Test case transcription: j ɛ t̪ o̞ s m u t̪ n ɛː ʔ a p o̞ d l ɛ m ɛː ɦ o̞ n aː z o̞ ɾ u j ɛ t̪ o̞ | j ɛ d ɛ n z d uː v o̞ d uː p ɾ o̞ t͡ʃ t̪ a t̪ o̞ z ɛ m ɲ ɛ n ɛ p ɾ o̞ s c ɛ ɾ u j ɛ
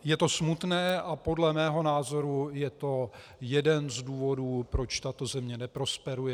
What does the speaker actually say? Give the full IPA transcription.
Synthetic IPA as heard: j ɛ t̪ o̞ s m u t̪ n ɛː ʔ a p o̞ d l ɛ m ɛː ɦ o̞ n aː z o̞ ɾ u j ɛ t̪ o̞ | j ɛ d ɛ n z d uː v o̞ d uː p ɾ o̞ t͡ʃ t̪ a t̪ o̞ z ɛ m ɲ ɛ n ɛ p ɾ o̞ s p ɛ ɾ u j ɛ